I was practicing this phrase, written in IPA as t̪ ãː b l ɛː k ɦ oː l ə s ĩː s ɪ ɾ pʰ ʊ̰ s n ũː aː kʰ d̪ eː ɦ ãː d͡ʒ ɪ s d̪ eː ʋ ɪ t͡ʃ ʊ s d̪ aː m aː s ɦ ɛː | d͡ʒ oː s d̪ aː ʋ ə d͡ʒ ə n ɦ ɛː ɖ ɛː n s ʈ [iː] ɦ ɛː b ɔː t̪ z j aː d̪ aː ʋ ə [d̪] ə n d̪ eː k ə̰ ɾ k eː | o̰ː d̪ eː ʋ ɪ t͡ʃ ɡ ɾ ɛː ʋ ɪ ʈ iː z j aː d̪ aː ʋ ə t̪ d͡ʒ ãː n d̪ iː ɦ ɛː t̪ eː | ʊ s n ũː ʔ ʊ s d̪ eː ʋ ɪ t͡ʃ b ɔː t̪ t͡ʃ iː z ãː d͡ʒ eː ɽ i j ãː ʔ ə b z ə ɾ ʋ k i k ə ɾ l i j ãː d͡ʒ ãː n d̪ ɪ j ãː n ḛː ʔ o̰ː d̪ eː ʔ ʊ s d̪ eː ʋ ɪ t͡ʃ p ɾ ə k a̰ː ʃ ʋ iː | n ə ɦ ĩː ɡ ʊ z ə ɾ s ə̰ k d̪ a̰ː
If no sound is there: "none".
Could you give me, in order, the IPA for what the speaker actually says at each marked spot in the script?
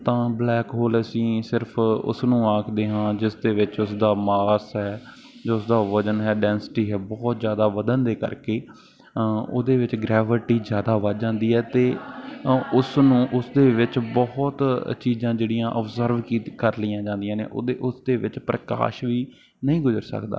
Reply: iː, d̪

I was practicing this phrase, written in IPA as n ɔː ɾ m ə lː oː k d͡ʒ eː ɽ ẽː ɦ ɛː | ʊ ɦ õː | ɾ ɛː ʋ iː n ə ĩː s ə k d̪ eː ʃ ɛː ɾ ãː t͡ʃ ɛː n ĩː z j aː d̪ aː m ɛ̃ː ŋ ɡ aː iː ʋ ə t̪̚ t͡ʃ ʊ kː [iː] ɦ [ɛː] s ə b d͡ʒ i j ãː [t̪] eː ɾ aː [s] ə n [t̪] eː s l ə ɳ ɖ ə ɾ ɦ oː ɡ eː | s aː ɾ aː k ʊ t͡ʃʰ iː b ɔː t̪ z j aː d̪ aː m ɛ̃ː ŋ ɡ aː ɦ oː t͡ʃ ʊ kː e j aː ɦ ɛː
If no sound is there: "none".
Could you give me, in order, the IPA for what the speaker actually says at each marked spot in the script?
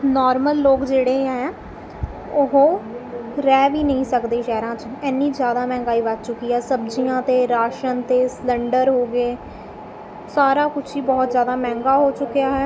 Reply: iː, ɛː, t̪, ʃ, t̪

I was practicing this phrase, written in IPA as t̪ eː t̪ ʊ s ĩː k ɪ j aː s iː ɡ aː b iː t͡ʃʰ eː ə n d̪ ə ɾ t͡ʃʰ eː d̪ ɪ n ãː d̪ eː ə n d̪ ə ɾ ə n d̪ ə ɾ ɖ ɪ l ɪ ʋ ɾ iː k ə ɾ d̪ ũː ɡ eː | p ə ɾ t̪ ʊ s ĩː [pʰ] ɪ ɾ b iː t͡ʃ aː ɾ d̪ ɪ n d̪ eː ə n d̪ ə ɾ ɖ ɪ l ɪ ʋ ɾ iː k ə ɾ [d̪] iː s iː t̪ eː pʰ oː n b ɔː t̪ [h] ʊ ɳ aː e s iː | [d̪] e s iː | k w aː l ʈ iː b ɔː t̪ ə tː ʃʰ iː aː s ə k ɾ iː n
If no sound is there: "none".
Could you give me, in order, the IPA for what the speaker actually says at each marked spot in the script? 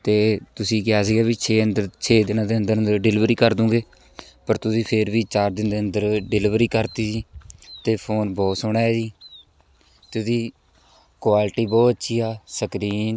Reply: pʰ, t̪, s, t̪

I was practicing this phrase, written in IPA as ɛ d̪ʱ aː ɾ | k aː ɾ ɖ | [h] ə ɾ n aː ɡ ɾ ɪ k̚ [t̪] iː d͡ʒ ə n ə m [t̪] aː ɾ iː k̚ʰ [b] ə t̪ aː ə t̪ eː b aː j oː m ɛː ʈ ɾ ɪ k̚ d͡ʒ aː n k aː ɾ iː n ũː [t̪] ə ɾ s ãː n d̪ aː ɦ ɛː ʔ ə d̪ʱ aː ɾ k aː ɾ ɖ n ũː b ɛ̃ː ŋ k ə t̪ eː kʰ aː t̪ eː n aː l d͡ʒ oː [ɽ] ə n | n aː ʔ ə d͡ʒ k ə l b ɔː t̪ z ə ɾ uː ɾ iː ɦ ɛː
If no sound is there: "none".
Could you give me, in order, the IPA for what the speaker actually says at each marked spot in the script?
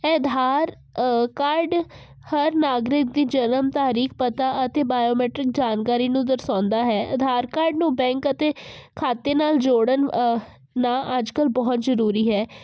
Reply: h, d̪, t̪, p, d̪, ɽ

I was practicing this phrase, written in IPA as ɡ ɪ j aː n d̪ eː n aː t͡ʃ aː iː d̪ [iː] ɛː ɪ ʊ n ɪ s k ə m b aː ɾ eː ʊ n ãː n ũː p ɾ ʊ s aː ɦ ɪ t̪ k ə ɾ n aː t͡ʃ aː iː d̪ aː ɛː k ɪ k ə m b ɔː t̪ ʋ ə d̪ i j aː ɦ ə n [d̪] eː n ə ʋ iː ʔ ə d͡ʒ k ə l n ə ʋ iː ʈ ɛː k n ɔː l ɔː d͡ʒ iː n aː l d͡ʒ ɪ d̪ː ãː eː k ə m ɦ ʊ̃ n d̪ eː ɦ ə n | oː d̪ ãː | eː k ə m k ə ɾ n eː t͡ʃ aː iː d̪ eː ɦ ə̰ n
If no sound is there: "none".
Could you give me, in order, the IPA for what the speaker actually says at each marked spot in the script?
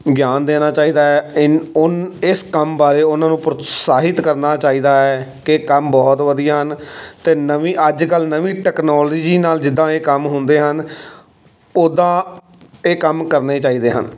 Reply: aː, t̪

